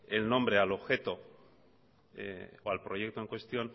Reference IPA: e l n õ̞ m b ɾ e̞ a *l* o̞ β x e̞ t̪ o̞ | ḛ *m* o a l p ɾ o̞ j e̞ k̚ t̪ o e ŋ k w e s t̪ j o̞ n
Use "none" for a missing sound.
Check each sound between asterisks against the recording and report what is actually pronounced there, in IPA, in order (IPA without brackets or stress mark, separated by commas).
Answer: l, none